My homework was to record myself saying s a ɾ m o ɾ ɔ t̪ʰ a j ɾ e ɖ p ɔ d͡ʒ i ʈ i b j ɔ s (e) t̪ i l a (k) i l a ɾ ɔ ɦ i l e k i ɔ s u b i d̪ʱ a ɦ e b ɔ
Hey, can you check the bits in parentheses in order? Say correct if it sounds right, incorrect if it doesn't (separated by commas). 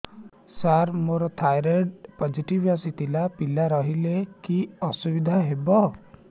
incorrect, incorrect